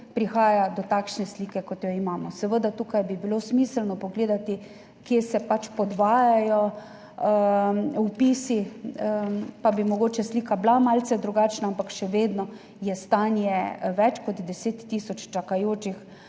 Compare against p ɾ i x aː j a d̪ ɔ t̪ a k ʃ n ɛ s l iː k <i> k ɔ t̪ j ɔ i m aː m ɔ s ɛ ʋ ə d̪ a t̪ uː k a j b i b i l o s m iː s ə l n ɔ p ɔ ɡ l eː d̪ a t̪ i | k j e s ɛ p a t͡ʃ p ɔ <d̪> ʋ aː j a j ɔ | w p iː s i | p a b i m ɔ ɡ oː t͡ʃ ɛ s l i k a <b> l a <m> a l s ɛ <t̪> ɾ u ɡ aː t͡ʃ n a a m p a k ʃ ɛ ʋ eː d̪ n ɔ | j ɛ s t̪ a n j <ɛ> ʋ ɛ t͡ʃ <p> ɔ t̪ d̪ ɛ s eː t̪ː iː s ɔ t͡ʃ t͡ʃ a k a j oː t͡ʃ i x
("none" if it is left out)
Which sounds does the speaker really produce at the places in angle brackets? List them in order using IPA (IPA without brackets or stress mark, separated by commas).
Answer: ɛ, d̪, b, m, d̪, ɛ, k